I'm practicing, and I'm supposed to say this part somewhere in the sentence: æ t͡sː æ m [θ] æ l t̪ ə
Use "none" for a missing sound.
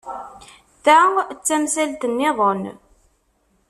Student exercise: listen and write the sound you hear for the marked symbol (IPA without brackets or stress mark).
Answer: s